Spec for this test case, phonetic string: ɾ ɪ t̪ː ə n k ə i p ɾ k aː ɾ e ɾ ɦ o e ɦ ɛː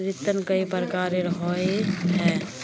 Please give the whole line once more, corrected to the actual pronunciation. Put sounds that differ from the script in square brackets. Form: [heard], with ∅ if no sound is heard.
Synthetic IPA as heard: ɾ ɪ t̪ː ə n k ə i p ɾ k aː ɾ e ɾ ɦ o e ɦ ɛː